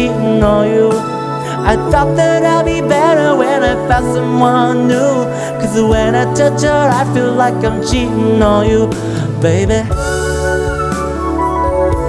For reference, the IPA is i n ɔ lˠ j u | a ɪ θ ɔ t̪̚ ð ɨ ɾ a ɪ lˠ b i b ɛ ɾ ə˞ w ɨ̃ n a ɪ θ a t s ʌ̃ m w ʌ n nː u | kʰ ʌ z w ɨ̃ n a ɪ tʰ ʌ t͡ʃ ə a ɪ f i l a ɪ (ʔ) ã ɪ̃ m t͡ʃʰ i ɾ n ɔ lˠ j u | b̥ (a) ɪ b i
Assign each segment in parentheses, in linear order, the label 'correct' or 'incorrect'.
incorrect: k, incorrect: e

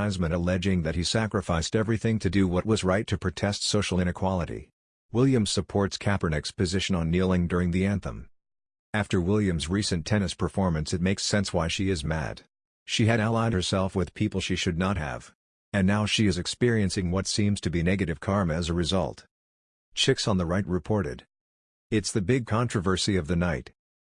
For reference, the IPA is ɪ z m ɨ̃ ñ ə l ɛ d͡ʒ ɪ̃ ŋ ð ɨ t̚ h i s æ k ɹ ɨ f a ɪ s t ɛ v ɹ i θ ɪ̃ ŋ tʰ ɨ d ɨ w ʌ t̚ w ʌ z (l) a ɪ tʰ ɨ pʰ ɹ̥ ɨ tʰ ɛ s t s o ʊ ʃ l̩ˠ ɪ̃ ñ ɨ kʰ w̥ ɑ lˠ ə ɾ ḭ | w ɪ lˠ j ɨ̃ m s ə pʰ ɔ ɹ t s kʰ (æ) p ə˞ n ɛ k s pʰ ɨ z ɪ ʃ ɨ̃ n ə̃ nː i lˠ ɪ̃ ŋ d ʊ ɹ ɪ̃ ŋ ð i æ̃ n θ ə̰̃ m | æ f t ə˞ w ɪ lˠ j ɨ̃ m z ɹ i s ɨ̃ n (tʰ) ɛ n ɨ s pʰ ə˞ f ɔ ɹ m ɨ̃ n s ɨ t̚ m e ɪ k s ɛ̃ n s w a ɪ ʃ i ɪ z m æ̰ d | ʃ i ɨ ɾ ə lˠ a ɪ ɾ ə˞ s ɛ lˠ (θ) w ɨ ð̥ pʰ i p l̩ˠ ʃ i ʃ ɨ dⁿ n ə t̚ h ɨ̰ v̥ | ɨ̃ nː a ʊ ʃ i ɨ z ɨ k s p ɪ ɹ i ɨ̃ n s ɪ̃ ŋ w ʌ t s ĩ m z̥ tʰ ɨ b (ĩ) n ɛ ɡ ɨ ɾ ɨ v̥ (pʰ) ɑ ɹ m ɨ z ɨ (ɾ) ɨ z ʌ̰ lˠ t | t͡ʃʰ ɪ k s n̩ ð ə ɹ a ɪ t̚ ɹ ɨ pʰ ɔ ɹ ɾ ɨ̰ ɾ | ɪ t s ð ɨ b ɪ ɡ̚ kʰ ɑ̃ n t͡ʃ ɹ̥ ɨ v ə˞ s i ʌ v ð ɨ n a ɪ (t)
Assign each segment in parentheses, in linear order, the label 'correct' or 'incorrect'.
incorrect: ɹ, correct, correct, incorrect: f, incorrect: i, incorrect: kʰ, incorrect: ɹ, correct

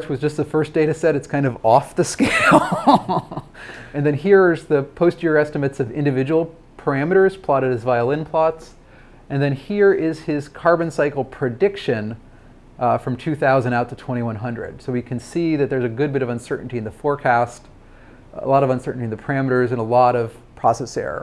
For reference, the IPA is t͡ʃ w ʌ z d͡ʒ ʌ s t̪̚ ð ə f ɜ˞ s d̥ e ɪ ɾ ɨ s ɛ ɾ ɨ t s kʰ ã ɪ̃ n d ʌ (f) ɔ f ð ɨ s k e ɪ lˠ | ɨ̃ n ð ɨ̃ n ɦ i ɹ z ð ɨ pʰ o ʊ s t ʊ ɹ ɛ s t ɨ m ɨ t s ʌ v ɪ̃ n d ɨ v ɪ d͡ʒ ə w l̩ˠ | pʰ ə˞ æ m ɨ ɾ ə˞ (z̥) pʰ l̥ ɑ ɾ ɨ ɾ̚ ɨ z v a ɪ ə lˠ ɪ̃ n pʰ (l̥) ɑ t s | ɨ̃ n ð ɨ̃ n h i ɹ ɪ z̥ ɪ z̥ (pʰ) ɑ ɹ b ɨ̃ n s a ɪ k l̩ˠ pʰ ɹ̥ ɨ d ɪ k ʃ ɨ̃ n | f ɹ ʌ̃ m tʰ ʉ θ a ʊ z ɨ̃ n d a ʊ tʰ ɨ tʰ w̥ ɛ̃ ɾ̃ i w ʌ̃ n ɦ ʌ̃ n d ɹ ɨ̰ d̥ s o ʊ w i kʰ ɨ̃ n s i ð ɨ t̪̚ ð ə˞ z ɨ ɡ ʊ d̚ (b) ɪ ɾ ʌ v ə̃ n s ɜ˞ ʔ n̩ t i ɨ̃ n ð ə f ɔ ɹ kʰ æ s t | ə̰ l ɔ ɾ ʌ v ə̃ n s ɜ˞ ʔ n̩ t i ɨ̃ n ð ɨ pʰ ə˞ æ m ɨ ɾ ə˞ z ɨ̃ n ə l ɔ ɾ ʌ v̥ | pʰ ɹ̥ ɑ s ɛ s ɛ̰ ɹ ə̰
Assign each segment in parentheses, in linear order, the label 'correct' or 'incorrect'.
incorrect: v, correct, correct, incorrect: kʰ, correct

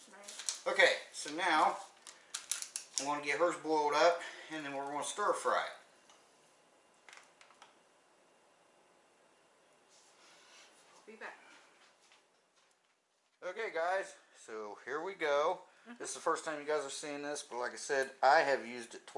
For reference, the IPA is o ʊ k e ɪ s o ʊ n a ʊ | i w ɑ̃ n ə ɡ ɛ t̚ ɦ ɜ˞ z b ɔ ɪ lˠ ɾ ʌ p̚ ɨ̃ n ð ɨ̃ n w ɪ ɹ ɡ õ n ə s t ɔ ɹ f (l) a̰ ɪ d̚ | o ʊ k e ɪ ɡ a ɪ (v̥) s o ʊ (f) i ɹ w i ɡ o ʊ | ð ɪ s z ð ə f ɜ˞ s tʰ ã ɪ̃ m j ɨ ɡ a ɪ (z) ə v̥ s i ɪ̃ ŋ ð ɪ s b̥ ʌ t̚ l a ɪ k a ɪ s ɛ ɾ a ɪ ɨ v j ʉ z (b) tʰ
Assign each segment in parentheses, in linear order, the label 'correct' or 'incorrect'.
incorrect: ɹ, incorrect: z̥, incorrect: h, correct, incorrect: d

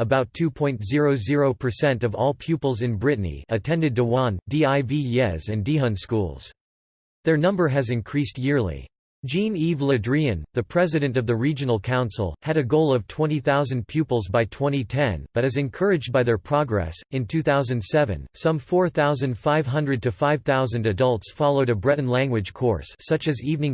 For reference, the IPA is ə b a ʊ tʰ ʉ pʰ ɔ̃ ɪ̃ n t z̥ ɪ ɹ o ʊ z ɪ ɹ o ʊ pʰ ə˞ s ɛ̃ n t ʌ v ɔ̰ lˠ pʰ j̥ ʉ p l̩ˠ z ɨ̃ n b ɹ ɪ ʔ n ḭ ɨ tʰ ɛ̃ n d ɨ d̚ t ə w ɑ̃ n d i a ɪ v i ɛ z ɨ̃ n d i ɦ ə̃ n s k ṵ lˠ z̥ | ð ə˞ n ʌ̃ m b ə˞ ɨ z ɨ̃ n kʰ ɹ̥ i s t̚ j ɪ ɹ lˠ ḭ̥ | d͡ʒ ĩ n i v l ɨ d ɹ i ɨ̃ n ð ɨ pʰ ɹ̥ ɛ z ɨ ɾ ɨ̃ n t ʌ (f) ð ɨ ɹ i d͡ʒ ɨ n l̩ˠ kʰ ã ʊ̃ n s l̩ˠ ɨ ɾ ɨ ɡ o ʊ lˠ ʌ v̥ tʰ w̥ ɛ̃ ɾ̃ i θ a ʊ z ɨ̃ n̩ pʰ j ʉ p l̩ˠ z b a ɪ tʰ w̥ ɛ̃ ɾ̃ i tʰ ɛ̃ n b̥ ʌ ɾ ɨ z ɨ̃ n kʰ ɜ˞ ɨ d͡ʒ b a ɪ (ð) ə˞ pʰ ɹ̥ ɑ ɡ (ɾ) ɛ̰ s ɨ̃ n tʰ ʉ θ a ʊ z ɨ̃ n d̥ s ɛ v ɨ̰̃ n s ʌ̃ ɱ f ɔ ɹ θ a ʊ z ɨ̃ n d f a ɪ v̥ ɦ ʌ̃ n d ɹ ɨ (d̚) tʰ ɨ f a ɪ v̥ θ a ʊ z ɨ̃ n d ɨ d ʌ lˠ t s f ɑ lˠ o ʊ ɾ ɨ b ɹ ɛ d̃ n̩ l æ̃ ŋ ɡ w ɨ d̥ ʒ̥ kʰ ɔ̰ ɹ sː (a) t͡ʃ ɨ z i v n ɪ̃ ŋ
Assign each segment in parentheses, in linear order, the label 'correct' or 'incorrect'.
incorrect: v, correct, incorrect: ɹ, correct, incorrect: ʌ

